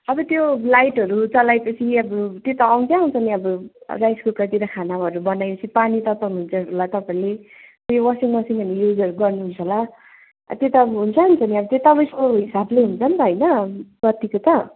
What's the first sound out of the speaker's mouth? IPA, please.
ʌ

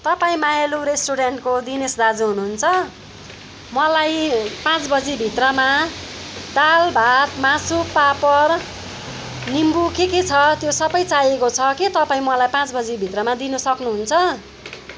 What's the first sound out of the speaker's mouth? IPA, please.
t̪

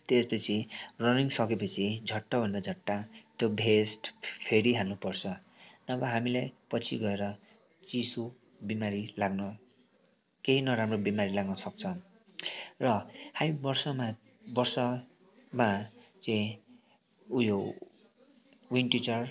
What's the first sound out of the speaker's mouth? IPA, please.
t̪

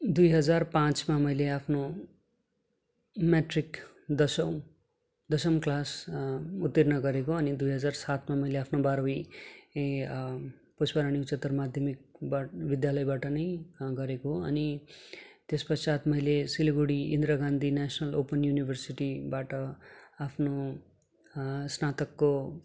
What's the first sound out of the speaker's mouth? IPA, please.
d̪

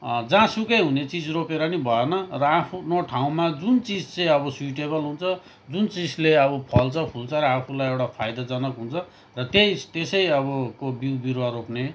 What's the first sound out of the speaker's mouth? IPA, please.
d͡z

